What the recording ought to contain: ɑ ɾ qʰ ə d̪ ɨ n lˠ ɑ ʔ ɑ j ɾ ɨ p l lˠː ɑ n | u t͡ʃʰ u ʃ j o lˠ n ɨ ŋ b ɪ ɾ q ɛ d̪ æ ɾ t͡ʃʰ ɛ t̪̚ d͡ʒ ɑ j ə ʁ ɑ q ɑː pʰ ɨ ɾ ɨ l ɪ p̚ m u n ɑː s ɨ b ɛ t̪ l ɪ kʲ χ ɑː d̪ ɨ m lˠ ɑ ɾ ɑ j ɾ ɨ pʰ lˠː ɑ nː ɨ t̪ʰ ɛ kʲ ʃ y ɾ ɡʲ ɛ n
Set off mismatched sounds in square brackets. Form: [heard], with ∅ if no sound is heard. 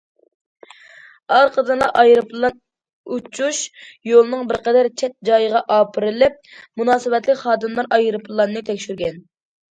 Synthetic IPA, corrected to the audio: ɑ ɾ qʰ ə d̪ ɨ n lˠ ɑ ʔ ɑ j ɾ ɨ p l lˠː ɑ n | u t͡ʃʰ u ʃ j o lˠ n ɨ ŋ b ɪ ɾ q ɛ d̪ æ ɾ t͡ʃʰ ɛ t̪̚ d͡ʒ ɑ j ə ʁ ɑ [ʔ] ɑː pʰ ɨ ɾ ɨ l ɪ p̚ m u n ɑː s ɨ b ɛ t̪ l ɪ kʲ χ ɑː d̪ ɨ m lˠ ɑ ɾ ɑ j ɾ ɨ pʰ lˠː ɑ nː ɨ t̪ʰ ɛ kʲ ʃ y ɾ ɡʲ ɛ n